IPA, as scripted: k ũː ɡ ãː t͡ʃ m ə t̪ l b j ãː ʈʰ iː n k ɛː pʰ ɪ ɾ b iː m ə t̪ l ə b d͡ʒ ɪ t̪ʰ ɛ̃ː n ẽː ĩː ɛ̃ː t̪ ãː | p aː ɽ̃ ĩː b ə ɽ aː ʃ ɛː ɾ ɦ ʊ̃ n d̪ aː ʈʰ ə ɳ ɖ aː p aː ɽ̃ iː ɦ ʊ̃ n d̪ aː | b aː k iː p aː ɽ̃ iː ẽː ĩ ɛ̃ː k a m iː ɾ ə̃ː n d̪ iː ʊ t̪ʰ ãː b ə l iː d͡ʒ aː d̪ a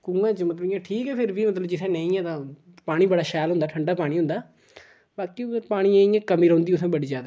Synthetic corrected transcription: k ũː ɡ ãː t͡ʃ m ə t̪ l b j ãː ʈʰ iː k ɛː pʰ ɪ ɾ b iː m ə t̪ l ə b d͡ʒ ɪ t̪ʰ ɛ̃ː n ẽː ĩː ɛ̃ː t̪ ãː | p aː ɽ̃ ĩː b ə ɽ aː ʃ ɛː l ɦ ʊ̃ n d̪ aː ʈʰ ə ɳ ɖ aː p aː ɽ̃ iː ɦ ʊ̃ n d̪ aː | b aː k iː p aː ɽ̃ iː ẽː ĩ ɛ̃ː k ə m iː ɾ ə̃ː n d̪ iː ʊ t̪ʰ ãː b ə ɽ iː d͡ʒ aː d̪ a